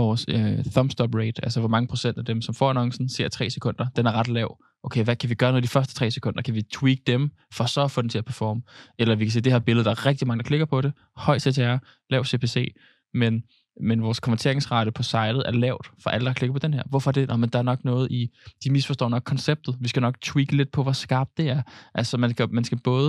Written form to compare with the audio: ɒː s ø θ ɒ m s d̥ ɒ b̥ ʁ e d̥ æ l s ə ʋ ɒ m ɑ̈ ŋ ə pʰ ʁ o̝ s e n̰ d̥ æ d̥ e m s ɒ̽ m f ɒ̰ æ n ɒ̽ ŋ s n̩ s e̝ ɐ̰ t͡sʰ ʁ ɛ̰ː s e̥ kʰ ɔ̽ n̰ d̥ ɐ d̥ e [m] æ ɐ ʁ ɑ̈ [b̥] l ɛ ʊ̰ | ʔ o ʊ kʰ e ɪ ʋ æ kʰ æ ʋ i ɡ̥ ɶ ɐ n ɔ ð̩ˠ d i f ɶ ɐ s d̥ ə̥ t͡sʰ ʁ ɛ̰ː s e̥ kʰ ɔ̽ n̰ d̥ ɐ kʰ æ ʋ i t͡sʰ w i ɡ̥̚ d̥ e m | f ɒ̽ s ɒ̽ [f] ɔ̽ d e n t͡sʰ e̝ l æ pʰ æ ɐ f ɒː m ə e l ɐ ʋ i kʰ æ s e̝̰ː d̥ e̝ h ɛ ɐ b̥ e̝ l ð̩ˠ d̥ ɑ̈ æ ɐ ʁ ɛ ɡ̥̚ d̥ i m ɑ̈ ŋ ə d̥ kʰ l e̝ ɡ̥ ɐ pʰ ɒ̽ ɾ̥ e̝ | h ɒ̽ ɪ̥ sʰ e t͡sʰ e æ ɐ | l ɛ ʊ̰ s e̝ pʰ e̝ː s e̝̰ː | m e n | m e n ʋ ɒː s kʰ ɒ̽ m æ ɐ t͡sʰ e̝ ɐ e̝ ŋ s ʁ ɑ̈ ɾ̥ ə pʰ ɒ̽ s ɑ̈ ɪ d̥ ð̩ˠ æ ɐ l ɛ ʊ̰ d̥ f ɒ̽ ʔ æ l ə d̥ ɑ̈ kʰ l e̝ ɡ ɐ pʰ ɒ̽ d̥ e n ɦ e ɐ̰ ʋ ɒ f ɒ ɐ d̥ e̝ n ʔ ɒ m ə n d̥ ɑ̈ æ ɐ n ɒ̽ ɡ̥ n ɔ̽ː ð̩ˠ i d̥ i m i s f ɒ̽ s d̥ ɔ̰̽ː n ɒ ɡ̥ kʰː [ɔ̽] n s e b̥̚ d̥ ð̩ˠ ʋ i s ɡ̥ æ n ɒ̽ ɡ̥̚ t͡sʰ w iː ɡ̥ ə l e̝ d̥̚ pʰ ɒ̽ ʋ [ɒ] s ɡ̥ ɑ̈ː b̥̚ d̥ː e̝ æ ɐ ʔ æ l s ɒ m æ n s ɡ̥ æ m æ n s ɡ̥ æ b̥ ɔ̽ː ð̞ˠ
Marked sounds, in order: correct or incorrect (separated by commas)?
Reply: incorrect, incorrect, correct, incorrect, correct